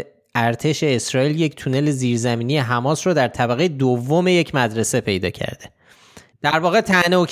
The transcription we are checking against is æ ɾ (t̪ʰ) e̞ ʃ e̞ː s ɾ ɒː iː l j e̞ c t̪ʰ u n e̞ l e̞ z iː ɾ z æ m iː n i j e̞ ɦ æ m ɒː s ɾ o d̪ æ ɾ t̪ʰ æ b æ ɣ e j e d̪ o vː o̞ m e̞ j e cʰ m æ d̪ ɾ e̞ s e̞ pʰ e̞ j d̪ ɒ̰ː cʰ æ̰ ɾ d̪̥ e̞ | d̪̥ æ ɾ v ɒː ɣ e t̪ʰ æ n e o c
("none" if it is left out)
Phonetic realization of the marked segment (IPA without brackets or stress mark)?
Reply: t̪ʰ